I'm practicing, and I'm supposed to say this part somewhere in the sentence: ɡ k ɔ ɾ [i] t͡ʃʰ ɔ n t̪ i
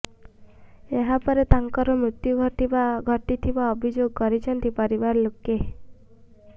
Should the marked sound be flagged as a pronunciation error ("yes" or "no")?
no